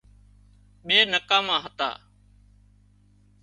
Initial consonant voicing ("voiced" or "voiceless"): voiced